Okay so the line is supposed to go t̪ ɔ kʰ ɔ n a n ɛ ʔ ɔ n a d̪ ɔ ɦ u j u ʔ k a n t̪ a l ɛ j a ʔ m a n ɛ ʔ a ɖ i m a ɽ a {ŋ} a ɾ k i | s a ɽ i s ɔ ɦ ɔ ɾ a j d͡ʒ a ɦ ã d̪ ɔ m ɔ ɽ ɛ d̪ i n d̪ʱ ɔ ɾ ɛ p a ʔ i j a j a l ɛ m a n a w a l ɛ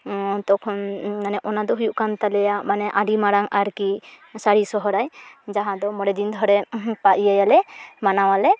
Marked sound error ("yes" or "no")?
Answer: no